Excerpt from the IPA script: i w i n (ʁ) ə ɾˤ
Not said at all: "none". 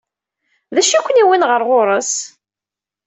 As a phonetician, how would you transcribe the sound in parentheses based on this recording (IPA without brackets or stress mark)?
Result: ʁ